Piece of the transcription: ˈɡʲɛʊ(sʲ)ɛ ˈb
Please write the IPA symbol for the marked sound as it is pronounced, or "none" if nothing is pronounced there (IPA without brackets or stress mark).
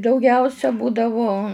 sʲ